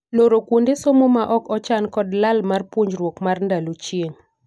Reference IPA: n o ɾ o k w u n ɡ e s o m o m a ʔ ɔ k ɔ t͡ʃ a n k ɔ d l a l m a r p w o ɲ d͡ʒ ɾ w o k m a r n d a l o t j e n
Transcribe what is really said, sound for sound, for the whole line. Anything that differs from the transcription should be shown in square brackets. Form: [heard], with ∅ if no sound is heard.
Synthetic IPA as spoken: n o ɾ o k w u n [d] e s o m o m a ʔ ɔ k ɔ t͡ʃ a n k ɔ d l a l m a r p w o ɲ d͡ʒ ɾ w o k m a r n d a l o [t͡ʃ] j e [ŋ]

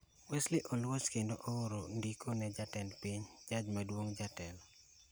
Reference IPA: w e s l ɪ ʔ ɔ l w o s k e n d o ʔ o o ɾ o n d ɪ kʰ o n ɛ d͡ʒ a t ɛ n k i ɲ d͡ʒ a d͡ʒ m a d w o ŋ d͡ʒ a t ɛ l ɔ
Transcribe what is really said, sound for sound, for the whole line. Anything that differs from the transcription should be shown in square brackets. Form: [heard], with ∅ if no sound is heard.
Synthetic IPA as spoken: w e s l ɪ ʔ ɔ l w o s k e n d o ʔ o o ɾ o n d [i] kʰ o n ɛ d͡ʒ a t ɛ n [p] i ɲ d͡ʒ a d͡ʒ m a d w o ŋ d͡ʒ a t ɛ l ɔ

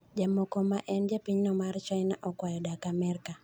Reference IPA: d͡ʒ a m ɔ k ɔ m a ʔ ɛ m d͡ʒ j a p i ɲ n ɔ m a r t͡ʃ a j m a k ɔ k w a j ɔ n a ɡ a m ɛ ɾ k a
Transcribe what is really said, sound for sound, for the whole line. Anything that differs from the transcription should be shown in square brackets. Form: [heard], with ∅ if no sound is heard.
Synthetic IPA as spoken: d͡ʒ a m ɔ k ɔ m a ʔ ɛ [n] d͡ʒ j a p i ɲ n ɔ m a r t͡ʃ a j [n] a [ʔ] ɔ k w a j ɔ [d] a [k] a m ɛ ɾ k a

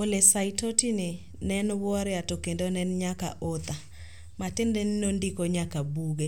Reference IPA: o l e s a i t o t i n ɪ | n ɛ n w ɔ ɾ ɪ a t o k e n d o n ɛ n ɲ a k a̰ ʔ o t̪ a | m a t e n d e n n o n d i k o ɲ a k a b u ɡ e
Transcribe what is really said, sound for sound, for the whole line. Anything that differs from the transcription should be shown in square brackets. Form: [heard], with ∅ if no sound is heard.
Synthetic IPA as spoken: o l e s a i t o t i n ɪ | n ɛ n w ɔ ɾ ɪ a t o k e n d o n ɛ n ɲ a k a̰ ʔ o t̪ a | m a t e n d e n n o n d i k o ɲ a k a b u ɡ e

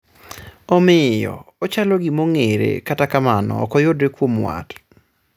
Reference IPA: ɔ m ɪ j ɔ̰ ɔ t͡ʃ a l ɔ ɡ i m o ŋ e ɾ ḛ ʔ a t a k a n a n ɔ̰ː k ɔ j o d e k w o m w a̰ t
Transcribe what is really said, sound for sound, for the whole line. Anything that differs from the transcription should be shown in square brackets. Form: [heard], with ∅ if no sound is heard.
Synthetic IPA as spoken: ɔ m ɪ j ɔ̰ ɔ t͡ʃ a l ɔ ɡ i m o ŋ e ɾ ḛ [k] a t a k a [m] a n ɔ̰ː k ɔ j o d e k w o m w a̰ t

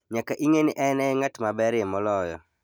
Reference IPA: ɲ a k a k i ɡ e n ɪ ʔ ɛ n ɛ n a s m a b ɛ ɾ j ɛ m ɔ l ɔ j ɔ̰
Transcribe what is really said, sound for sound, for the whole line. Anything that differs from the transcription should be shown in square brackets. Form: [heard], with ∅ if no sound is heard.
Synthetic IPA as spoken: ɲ a k a [ʔ] i [ŋ] e n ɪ ʔ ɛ n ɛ [ŋ] a [t] m a b ɛ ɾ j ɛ m ɔ l ɔ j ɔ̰

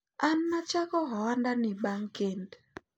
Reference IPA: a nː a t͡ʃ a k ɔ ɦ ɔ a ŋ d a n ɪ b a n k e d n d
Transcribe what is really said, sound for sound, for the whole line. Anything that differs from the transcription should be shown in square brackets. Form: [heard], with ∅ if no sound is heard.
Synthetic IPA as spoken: a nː a t͡ʃ a k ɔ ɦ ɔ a [n] d a n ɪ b a [ŋ] k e [∅] n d

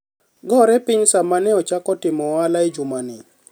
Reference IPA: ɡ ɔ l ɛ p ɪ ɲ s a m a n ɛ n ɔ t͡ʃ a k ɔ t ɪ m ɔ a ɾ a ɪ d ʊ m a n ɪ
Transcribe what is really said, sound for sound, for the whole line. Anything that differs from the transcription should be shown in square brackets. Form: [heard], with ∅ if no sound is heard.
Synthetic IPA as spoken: ɡ ɔ [ɾ] ɛ p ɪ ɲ s a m a n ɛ [∅] ɔ t͡ʃ a k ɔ t ɪ m ɔ a [l] a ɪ [d͡ʒ] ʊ m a n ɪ

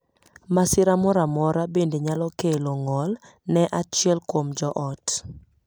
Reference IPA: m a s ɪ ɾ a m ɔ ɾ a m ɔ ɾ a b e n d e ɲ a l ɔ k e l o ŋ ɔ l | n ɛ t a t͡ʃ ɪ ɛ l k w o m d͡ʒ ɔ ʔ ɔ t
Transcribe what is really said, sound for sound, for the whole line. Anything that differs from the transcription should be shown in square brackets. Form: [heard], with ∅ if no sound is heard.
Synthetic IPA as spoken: m a s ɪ ɾ a m ɔ ɾ a m ɔ ɾ a b e n d e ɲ a l ɔ k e l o ŋ ɔ l | n ɛ [ʔ] a t͡ʃ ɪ ɛ l k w o m d͡ʒ ɔ ʔ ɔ t

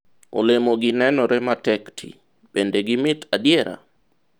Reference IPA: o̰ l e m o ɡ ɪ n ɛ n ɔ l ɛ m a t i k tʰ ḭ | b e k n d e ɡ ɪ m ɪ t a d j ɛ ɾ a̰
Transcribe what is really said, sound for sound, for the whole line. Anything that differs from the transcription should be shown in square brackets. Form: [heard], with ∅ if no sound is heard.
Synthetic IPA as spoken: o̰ l e m o ɡ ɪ n ɛ n ɔ [ɾ] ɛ m a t [ɛ] k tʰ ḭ | b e [∅] n d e ɡ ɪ m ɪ t a d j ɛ ɾ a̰

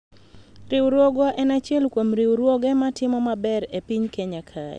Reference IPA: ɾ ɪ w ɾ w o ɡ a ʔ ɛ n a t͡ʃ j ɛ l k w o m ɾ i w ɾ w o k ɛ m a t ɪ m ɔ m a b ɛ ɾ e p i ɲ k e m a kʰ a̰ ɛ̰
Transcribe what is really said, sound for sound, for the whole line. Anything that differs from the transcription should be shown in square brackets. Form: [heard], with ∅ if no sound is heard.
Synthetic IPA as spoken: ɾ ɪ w ɾ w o ɡ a ʔ ɛ n a t͡ʃ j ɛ l k w o m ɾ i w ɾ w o [ɡ] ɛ m a t ɪ m ɔ m a b ɛ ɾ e p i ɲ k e [ɲ] a kʰ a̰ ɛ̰

